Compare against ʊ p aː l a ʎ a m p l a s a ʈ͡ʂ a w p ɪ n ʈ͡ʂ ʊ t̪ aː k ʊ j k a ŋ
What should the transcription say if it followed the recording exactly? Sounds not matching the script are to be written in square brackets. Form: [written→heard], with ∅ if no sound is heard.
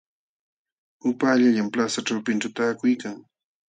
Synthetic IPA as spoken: ʊ p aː [l→ʎ] a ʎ a m p l a s a ʈ͡ʂ a w p ɪ n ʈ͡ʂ ʊ t̪ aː k ʊ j k a ŋ